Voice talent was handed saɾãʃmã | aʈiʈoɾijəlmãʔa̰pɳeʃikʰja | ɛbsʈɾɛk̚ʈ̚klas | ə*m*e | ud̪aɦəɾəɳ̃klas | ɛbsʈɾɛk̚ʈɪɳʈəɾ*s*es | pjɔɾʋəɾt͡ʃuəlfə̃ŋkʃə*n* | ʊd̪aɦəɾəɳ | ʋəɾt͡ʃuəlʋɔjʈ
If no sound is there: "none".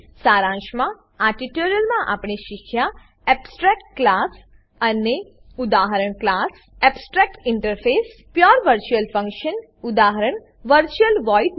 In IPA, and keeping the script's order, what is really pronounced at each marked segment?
n, f, n

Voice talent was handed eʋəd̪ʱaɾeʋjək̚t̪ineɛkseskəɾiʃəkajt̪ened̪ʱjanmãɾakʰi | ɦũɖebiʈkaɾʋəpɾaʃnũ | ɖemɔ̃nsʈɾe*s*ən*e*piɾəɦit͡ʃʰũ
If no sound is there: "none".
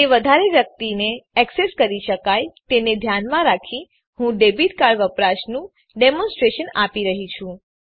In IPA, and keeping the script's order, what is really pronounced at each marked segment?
ʃ, a

